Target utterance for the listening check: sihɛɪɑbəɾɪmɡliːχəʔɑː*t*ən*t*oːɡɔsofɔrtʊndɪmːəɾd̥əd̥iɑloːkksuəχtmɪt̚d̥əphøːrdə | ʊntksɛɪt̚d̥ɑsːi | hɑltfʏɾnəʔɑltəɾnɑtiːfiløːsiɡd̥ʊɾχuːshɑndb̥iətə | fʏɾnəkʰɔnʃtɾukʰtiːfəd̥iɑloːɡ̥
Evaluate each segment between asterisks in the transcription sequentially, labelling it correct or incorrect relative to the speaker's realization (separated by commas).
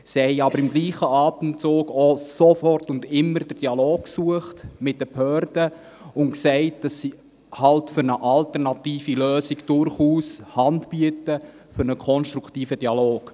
correct, incorrect